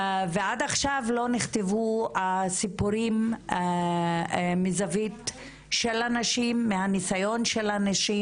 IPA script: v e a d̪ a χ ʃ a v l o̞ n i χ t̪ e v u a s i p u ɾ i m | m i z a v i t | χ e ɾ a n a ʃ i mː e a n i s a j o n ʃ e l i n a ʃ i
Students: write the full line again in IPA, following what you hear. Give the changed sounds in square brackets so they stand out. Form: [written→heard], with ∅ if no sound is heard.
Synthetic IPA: v e a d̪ a χ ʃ a v l o̞ n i χ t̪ e v u a s i p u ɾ i m | m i z a v i t | [χ→ʃ] e [ɾ→l] a n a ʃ i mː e a n i s a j o n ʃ e l [i→a] n a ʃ i